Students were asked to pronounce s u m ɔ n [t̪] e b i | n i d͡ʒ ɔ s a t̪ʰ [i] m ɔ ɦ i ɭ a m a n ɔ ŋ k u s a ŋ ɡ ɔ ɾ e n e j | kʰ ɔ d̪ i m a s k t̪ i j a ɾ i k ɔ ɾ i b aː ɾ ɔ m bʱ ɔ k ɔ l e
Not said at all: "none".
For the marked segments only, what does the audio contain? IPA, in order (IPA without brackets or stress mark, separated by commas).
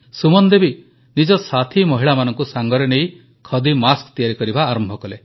d̪, i